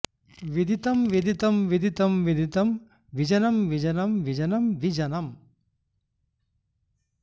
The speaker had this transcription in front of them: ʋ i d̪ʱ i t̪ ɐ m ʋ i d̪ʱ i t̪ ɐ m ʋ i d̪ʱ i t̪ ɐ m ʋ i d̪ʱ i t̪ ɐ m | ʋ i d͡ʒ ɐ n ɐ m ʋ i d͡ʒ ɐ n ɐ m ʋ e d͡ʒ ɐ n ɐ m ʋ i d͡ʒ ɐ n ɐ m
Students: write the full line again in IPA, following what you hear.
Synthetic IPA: ʋ i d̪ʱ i t̪ ɐ m ʋ i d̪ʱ i t̪ ɐ m ʋ i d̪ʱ i t̪ ɐ m ʋ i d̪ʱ i t̪ ɐ m | ʋ i d͡ʒ ɐ n ɐ m ʋ i d͡ʒ ɐ n ɐ m ʋ i d͡ʒ ɐ n ɐ m ʋ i d͡ʒ ɐ n ɐ m

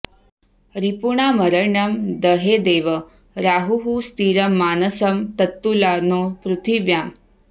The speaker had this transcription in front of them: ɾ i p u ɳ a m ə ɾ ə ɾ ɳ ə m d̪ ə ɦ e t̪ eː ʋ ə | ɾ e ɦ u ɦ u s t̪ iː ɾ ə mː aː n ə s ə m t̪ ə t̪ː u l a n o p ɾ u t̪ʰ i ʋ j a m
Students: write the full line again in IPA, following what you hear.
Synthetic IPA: ɾ i p u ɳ a m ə ɾ ə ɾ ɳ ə m d̪ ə ɦ e d̪ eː ʋ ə | ɾ a ɦ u ɦ u s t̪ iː ɾ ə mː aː n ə s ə m t̪ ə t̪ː u l a n o p ɾ u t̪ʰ i ʋ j a m

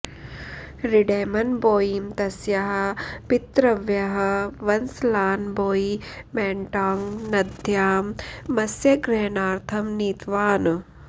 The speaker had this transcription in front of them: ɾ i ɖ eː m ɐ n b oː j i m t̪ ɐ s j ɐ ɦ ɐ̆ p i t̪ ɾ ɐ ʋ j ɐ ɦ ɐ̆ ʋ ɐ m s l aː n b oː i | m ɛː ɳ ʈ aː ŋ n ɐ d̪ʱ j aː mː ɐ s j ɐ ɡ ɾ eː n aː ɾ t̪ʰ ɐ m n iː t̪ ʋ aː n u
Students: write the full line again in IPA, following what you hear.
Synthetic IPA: ɾ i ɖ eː m ɐ n b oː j i m t̪ ɐ s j ɐ ɦ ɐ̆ p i t̪ ɾ ɐ ʋ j ɐ ɦ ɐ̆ ʋ ɐ n s l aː n b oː i | m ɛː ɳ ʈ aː ŋ n ɐ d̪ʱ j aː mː ɐ s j ɐ ɡ ɾ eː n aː ɾ t̪ʰ ɐ m n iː t̪ ʋ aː n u

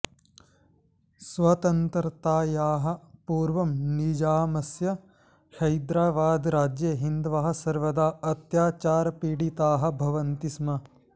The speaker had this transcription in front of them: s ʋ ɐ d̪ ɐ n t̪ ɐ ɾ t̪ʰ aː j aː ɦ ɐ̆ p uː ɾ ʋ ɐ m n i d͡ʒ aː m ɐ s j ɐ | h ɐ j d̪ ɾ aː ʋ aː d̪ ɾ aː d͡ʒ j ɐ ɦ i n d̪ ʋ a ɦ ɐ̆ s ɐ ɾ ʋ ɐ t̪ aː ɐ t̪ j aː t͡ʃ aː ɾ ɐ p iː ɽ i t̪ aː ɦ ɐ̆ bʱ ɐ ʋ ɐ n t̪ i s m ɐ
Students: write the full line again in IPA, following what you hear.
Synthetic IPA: s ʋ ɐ t̪ ɐ n t̪ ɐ ɾ t̪ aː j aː ɦ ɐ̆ p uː ɾ ʋ ɐ m n i d͡ʒ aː m ɐ s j ɐ | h ɐ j d̪ ɾ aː ʋ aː d̪ ɾ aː d͡ʒ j ɐ ɦ i n d̪ ʋ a ɦ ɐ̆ s ɐ ɾ ʋ ɐ d̪ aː ɐ t̪ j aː t͡ʃ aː ɾ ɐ p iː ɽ i t̪ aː ɦ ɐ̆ bʱ ɐ ʋ ɐ n t̪ i s m ɐ

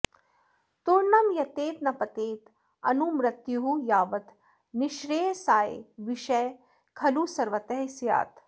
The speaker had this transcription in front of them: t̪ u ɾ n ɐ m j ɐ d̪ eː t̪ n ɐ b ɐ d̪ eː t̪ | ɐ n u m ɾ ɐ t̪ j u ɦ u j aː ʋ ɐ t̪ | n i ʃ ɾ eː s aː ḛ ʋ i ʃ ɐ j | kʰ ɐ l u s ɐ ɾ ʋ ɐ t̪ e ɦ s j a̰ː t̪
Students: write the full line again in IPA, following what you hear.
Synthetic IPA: t̪ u ɾ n ɐ m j ɐ t̪ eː t̪ n ɐ p ɐ t̪ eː t̪ | ɐ n u m ɾ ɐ t̪ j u ɦ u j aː ʋ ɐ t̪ | n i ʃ ɾ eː s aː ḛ ʋ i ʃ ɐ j | kʰ ɐ l u s ɐ ɾ ʋ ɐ t̪ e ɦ s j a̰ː t̪

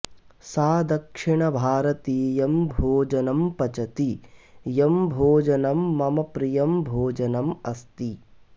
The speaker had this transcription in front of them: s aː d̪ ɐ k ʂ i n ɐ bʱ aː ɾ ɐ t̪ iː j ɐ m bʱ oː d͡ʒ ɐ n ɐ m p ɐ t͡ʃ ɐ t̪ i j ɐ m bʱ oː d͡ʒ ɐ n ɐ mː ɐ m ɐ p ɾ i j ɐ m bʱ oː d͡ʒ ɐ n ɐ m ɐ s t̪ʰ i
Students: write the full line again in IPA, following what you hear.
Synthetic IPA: s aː d̪ ɐ k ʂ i ɳ ɐ bʱ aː ɾ ɐ t̪ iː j ɐ m bʱ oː d͡ʒ ɐ n ɐ m p ɐ t͡ʃ ɐ t̪ i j ɐ m bʱ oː d͡ʒ ɐ n ɐ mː ɐ m ɐ p ɾ i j ɐ m bʱ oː d͡ʒ ɐ n ɐ m ɐ s t̪ i

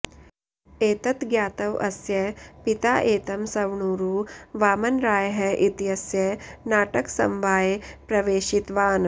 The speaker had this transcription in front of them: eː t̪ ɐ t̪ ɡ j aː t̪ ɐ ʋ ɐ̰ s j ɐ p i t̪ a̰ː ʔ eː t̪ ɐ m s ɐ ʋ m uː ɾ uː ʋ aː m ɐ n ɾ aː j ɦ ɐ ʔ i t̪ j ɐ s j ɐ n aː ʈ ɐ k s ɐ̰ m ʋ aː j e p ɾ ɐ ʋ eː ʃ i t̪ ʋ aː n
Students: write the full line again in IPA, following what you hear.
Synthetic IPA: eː t̪ ɐ t̪ ɡ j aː t̪ ɐ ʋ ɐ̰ s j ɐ p i t̪ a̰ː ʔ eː t̪ ɐ m s ɐ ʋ ɳ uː ɾ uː ʋ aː m ɐ n ɾ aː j ɦ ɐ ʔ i t̪ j ɐ s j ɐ n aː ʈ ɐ k s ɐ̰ m ʋ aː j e p ɾ ɐ ʋ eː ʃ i t̪ ʋ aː n

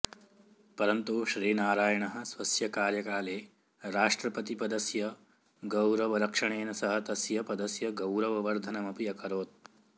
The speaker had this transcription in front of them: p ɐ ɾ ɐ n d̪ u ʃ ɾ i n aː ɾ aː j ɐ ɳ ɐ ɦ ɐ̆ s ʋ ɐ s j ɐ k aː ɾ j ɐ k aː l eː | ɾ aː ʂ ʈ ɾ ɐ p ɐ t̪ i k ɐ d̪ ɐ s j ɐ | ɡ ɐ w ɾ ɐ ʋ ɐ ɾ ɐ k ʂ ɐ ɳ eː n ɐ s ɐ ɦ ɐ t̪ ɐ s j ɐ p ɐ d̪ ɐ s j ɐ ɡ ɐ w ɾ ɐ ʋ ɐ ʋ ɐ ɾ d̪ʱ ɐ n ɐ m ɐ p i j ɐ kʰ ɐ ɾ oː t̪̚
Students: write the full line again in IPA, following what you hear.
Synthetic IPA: p ɐ ɾ ɐ n t̪ u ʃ ɾ iː n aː ɾ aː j ɐ ɳ ɐ ɦ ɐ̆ s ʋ ɐ s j ɐ k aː ɾ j ɐ k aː l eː | ɾ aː ʂ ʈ ɾ ɐ p ɐ t̪ i p ɐ d̪ ɐ s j ɐ | ɡ ɐ w ɾ ɐ ʋ ɐ ɾ ɐ k ʂ ɐ ɳ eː n ɐ s ɐ ɦ ɐ t̪ ɐ s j ɐ p ɐ d̪ ɐ s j ɐ ɡ ɐ w ɾ ɐ ʋ ɐ ʋ ɐ ɾ d̪ʱ ɐ n ɐ m ɐ p i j ɐ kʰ ɐ ɾ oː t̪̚

